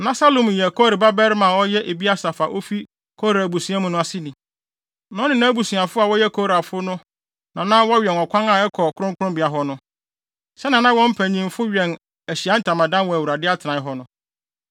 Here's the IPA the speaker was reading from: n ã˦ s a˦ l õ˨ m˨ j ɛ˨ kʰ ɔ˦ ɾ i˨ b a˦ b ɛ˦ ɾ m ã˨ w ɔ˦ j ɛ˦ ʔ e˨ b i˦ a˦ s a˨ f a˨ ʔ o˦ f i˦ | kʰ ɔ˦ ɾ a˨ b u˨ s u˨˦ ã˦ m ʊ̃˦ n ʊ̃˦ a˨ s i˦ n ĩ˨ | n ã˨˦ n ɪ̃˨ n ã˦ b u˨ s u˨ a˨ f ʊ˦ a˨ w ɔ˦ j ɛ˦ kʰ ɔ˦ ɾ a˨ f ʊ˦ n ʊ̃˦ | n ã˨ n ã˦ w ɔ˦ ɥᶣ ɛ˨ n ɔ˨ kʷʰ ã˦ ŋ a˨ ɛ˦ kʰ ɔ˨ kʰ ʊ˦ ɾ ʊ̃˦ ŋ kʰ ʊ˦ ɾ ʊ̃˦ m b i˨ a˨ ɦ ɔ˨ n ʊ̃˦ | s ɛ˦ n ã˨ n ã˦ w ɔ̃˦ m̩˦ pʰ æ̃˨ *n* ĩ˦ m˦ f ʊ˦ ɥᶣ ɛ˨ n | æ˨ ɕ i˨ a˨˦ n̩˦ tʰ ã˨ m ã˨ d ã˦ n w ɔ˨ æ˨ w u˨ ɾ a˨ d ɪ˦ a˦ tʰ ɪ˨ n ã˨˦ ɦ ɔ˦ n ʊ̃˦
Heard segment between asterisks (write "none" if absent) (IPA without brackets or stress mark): ɲ